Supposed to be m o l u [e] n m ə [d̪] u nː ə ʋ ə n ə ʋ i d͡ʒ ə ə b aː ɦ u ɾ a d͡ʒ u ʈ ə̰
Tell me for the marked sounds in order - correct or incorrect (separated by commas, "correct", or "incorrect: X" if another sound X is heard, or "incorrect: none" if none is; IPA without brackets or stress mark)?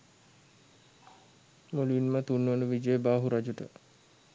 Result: incorrect: i, incorrect: t̪